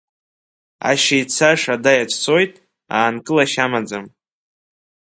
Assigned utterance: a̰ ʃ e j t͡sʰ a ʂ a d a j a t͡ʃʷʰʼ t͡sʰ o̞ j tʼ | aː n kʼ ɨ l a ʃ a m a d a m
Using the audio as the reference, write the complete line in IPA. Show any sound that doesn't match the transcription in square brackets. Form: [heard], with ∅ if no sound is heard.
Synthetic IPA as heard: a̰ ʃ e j t͡sʰ a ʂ a d a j a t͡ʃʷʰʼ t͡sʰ o̞ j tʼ | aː n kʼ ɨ l a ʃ a m a [d͡z] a m